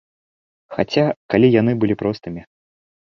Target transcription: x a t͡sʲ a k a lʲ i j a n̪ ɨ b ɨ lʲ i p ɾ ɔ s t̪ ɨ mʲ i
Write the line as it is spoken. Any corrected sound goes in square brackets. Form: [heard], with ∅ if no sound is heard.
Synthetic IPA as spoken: x a t͡sʲ a k a lʲ i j a n̪ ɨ b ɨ lʲ i p ɾ ɔ s t̪ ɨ mʲ i